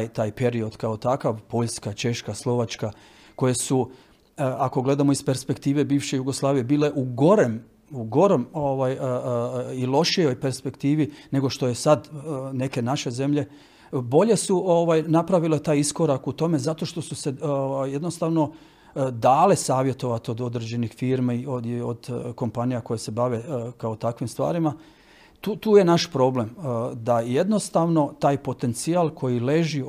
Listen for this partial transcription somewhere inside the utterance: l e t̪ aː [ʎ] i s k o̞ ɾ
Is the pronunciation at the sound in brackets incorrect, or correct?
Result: incorrect